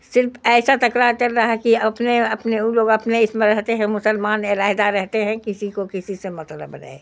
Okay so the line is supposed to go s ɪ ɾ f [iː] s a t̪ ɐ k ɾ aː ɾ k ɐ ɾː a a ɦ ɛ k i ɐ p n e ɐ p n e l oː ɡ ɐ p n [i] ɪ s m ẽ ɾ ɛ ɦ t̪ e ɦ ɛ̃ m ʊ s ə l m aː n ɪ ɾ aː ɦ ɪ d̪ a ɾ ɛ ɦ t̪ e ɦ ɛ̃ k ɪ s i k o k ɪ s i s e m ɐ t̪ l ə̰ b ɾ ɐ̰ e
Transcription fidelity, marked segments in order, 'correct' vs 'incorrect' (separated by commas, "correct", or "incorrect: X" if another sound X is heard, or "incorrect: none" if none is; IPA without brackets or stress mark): incorrect: ɛː, incorrect: e